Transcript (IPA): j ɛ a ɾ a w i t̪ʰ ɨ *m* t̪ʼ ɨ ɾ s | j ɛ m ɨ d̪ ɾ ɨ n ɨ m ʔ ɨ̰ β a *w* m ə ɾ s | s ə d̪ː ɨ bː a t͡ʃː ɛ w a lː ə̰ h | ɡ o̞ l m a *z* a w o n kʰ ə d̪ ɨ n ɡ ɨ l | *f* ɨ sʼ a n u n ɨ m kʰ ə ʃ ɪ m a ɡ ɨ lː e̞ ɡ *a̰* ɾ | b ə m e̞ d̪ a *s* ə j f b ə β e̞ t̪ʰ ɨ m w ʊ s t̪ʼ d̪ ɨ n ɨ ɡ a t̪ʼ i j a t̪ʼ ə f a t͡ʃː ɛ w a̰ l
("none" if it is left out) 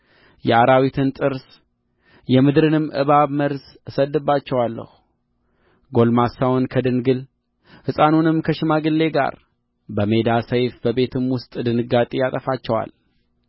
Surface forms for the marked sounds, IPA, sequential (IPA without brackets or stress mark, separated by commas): n, β, s, h, a̰, s